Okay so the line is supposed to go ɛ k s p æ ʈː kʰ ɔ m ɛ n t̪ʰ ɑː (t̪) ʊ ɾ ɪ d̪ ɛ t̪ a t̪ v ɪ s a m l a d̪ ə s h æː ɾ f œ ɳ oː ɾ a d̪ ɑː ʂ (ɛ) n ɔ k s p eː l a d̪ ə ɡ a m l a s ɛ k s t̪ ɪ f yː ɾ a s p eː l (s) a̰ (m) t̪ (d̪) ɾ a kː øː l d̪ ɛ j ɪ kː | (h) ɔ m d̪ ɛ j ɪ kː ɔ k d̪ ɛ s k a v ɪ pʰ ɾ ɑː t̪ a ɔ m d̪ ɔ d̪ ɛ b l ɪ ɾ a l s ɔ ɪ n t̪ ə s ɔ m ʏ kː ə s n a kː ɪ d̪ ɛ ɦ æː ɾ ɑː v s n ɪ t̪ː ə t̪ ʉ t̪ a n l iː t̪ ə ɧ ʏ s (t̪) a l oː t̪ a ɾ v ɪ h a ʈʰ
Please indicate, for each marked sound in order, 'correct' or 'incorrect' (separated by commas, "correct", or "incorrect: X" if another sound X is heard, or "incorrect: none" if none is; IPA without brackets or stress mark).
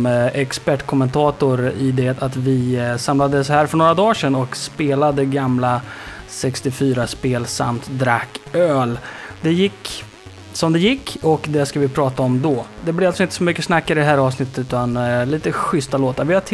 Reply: correct, correct, correct, correct, correct, incorrect: s, correct